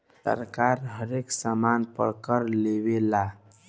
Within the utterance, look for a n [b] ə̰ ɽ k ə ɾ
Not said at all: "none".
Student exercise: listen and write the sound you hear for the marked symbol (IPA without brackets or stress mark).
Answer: p